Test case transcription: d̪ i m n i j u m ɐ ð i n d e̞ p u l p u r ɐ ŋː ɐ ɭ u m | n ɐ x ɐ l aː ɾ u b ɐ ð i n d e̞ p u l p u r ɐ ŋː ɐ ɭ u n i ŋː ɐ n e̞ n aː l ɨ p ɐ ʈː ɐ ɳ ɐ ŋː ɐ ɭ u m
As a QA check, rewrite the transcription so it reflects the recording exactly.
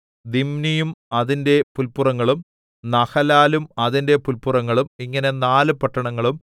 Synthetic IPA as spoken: d̪ i m n i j u m ɐ ð i n d e̞ p u l p u r ɐ ŋː ɐ ɭ u m | n ɐ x ɐ l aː l u m ɐ ð i n d e̞ p u l p u r ɐ ŋː ɐ ɭ u m i ŋː ɐ n e̞ n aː l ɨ p ɐ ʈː ɐ ɳ ɐ ŋː ɐ ɭ u m